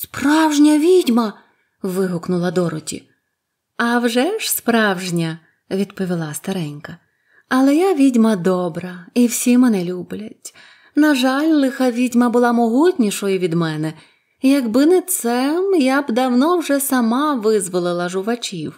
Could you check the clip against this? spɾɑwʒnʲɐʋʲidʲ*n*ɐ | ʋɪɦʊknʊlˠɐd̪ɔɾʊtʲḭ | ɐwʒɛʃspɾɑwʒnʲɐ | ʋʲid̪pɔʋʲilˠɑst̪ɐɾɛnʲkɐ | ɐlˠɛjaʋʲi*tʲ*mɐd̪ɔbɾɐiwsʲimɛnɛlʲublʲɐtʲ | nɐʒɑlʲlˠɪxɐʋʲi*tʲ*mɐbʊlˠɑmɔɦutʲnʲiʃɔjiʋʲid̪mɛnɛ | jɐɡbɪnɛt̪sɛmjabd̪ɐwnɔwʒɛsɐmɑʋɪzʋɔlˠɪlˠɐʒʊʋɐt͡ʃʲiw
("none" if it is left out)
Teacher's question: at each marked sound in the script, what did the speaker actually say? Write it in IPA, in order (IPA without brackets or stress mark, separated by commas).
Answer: m, dʲ, dʲ